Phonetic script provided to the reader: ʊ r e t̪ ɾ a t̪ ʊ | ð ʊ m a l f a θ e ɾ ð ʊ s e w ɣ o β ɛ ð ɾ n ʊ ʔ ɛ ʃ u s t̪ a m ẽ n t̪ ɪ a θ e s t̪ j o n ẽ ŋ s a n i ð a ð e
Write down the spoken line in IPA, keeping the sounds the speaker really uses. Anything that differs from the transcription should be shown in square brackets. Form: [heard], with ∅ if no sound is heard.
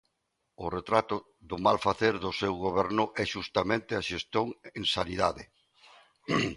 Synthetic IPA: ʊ r e t̪ ɾ a t̪ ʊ | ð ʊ m a l f a θ e ɾ ð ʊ s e w ɣ o β ɛ [∅] ɾ n ʊ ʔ ɛ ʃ u s t̪ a m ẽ n t̪ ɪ a [ʃ] e s t̪ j o [ŋ] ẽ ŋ s a n i ð a ð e

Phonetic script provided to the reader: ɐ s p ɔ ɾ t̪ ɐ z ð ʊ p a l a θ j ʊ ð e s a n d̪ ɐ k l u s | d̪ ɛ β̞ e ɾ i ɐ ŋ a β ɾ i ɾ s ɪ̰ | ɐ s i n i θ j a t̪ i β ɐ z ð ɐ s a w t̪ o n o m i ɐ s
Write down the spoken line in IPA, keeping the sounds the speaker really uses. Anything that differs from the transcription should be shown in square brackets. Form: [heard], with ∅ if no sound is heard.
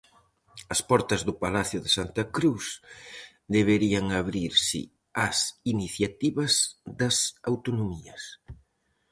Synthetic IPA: ɐ s p ɔ ɾ t̪ ɐ z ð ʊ p a l a θ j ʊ ð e s a n [t̪] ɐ k [ɾ] u s | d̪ [e] β̞ e ɾ i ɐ ŋ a β ɾ i ɾ s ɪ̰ | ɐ s i n i θ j a t̪ i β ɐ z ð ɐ s a w t̪ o n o m i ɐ s

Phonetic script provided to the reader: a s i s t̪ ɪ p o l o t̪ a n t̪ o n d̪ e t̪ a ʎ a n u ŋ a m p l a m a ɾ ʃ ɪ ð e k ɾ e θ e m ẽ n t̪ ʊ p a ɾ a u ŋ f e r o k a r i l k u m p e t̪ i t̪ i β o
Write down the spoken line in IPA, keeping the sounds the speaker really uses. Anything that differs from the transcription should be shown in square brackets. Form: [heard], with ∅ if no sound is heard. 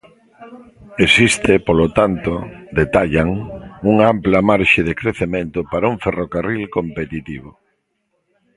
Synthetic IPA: [e] s i s t̪ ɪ p o l o t̪ a n t̪ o [∅] d̪ e t̪ a ʎ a [ŋ] u ŋ a m p l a m a ɾ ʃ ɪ ð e k ɾ e θ e m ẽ n t̪ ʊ p a ɾ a u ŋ f e r o k a r i l k [o] m p e t̪ i t̪ i β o

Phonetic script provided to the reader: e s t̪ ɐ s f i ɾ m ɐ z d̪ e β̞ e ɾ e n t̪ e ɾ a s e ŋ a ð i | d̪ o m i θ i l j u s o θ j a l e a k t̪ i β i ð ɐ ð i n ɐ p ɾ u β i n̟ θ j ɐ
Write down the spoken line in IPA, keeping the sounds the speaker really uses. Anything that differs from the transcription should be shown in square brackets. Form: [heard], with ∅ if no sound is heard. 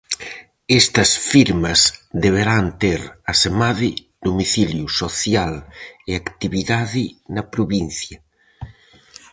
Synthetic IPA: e s t̪ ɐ s f i ɾ m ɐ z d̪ e β̞ e ɾ [a] n t̪ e ɾ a s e [m] a ð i | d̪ o m i θ i l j u s o θ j a l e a k t̪ i β i ð [a] ð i n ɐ p ɾ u β i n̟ θ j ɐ

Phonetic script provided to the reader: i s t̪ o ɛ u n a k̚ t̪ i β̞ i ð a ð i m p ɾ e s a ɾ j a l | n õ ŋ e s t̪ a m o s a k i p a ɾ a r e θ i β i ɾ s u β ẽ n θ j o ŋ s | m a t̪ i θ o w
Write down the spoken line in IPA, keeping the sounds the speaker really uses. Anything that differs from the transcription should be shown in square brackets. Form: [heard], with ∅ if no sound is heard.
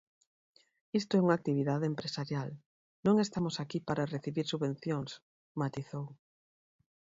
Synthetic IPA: i s t̪ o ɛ u [ŋ] a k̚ t̪ i β̞ i ð a ð [e] m p ɾ e s a ɾ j a l | n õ ŋ e s t̪ a m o s a k i p a ɾ a r e θ i β i ɾ s u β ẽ n θ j o ŋ s | m a t̪ i θ o w

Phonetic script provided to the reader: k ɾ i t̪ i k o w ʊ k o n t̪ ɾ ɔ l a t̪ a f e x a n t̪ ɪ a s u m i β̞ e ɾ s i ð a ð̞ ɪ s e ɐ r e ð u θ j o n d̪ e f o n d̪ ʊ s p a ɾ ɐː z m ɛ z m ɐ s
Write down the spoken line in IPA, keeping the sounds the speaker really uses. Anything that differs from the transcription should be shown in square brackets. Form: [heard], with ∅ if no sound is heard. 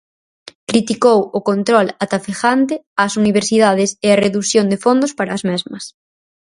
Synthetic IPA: k ɾ i t̪ i k o w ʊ k o n t̪ ɾ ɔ l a t̪ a f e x a n t̪ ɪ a s u [n] i β̞ e ɾ s i ð a ð̞ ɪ s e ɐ r e ð u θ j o n d̪ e f o n d̪ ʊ s p a ɾ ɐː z m ɛ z m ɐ s

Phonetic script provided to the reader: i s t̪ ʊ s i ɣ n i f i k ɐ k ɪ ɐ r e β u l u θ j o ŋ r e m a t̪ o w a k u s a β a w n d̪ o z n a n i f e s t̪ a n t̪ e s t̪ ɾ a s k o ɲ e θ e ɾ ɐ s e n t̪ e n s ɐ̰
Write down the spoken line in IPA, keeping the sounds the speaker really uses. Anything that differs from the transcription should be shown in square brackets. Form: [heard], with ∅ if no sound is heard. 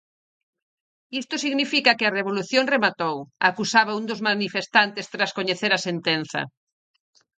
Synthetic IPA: i s t̪ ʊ s i ɣ n i f i k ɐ k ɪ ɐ r e β [o] l u θ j o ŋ r e m a t̪ o w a k u s a β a [u] n d̪ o z [m] a n i f e s t̪ a n t̪ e s t̪ ɾ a s k o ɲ e θ e ɾ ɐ s e n t̪ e n [θ] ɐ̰

